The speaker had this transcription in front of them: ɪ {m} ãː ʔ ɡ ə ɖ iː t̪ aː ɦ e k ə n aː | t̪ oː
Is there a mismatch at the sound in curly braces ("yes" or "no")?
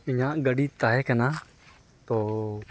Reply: yes